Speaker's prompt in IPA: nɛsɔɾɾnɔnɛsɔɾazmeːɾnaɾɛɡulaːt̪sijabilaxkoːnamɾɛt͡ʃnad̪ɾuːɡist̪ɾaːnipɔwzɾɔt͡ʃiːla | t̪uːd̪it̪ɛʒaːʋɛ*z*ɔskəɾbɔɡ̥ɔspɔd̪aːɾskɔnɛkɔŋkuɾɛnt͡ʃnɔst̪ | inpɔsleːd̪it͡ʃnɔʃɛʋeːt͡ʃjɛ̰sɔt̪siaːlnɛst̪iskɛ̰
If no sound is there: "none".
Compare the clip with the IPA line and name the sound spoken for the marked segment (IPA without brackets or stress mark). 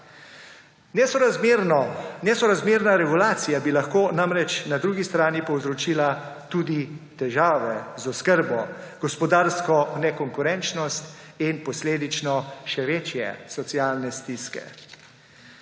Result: z